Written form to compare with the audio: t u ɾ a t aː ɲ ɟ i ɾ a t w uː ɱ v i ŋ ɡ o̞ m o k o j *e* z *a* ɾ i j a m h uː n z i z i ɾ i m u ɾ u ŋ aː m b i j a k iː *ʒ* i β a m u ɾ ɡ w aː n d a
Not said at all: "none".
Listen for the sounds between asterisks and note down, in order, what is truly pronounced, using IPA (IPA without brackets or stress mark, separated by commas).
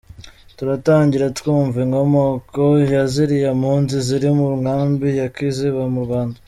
a, i, z